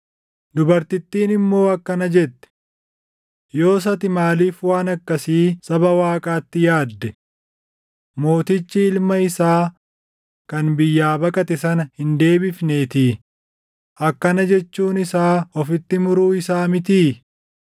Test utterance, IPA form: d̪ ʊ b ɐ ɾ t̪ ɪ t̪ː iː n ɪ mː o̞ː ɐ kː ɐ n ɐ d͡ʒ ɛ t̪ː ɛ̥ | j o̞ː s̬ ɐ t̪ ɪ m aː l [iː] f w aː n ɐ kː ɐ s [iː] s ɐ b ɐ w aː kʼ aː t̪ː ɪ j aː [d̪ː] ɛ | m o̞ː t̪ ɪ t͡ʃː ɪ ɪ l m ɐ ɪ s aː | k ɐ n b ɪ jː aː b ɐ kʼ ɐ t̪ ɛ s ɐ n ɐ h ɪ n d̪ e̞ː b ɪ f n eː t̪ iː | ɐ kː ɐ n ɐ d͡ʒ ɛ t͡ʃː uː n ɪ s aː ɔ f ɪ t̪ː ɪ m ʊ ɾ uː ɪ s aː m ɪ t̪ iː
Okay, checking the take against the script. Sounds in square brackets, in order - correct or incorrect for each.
correct, correct, correct

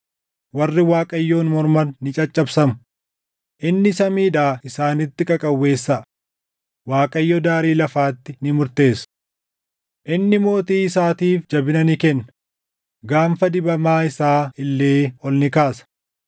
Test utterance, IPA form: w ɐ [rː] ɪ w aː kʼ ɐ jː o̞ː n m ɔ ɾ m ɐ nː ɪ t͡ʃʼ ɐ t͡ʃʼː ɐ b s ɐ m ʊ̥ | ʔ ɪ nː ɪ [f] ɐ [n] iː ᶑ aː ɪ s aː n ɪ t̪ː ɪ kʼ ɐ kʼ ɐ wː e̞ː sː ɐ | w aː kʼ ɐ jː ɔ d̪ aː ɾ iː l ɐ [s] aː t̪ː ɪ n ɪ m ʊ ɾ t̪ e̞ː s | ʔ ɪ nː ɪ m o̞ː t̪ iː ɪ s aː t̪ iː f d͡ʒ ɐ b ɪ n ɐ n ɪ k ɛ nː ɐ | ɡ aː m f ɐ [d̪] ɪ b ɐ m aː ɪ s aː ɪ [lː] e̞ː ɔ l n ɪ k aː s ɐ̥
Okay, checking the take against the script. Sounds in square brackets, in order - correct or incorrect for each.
correct, incorrect: s, incorrect: m, incorrect: f, correct, correct

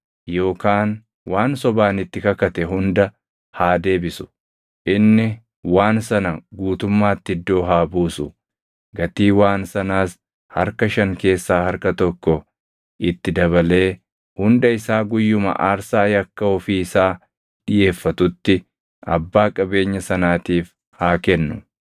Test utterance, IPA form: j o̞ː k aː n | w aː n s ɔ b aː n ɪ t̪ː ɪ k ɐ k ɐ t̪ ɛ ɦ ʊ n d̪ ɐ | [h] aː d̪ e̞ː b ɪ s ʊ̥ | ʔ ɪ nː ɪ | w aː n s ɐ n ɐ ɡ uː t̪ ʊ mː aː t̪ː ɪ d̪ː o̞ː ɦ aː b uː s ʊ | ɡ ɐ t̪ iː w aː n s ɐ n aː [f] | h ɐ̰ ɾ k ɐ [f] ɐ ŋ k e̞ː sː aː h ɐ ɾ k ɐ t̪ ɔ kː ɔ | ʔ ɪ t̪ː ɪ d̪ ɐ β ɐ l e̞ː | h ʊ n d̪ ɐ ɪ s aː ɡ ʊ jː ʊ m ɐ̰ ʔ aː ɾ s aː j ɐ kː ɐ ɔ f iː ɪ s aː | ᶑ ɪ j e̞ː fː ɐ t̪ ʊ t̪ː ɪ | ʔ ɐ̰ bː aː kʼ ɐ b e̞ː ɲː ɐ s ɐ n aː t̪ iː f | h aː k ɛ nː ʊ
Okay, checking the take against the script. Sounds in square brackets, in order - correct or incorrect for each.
correct, incorrect: s, incorrect: ʃ

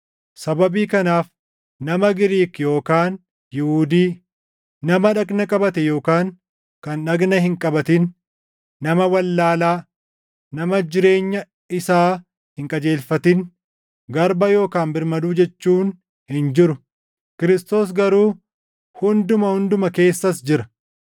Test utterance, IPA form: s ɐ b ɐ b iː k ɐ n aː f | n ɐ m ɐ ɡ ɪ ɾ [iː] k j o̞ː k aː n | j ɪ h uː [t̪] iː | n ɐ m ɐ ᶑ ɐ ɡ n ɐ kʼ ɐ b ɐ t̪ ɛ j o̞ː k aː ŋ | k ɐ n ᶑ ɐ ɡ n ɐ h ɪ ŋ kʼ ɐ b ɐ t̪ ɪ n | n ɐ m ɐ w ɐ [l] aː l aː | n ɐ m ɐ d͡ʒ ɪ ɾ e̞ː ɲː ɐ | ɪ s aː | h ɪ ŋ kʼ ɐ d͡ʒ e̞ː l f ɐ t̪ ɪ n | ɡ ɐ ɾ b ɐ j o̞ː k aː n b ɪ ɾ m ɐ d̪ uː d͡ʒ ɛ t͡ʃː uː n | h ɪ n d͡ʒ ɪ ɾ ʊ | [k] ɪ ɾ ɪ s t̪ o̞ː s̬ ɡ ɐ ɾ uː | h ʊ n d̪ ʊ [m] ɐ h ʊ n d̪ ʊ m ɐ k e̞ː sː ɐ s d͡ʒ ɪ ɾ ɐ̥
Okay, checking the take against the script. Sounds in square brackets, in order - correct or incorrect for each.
correct, incorrect: d̪, incorrect: lː, correct, correct

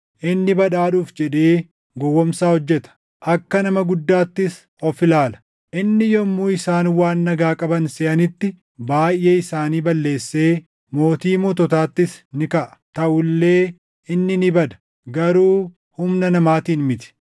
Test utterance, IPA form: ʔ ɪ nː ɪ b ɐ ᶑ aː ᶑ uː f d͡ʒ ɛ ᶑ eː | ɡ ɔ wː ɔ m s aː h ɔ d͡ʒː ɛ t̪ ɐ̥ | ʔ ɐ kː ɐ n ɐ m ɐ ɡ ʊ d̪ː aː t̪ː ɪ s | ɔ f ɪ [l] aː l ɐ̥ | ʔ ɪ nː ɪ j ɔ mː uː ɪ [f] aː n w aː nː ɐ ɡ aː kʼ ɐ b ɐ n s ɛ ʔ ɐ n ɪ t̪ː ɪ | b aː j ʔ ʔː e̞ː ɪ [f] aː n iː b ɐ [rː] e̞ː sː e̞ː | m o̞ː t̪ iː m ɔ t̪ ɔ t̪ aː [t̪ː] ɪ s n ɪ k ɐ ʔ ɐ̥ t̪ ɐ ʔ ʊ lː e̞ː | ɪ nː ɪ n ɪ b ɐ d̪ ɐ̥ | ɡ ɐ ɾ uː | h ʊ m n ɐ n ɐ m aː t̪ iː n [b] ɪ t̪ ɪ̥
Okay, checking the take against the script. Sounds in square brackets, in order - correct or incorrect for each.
correct, incorrect: s, incorrect: s, incorrect: lː, correct, incorrect: m

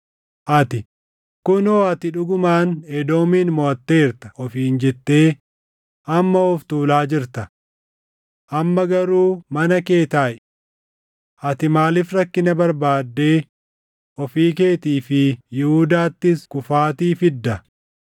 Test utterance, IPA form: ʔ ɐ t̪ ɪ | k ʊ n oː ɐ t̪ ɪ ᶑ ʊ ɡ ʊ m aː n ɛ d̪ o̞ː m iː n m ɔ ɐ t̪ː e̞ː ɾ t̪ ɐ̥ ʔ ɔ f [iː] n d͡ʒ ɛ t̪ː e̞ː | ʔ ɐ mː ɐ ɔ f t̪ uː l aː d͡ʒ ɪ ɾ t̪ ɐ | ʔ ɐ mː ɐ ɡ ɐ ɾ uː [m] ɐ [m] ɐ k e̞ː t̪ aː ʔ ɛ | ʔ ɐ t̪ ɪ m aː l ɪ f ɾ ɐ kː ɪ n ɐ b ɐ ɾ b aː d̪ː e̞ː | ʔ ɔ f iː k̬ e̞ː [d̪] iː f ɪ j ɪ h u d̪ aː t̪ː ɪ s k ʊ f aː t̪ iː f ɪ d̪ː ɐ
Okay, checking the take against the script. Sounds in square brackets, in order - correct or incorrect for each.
correct, correct, incorrect: n, incorrect: t̪

